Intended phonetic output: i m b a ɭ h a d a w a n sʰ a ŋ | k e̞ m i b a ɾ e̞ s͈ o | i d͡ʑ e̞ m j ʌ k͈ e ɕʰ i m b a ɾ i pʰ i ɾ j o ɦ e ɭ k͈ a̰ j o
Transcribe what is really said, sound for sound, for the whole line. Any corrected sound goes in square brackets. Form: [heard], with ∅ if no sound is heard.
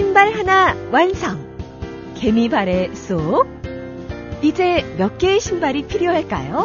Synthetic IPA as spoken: i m b a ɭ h a [n] a w a n sʰ a ŋ | k e̞ m i b a ɾ e̞ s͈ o | i d͡ʑ e̞ m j ʌ k͈ e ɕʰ i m b a ɾ i pʰ i ɾ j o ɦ [a] ɭ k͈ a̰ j o